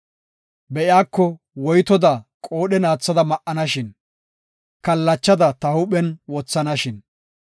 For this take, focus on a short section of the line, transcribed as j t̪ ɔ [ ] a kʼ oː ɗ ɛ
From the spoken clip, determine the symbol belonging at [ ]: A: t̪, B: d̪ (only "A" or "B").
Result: B